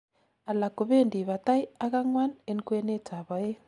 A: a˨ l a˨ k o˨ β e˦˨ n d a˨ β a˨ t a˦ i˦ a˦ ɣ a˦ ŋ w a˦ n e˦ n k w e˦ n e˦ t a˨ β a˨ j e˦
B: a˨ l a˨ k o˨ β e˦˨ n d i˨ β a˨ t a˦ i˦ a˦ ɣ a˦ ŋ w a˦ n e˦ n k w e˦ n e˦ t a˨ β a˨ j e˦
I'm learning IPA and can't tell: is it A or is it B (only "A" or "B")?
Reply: B